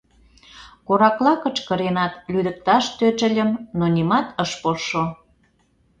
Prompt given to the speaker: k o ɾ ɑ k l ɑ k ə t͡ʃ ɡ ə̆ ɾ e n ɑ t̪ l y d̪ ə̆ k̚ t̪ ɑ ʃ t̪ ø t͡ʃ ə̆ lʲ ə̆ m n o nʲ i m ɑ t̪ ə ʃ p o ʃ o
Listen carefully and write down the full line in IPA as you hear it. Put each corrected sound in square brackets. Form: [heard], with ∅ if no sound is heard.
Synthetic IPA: k o ɾ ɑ k l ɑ k ə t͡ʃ [k] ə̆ ɾ e n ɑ t̪ l y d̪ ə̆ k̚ t̪ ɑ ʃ t̪ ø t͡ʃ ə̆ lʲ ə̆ m n o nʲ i m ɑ t̪ ə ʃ p o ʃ o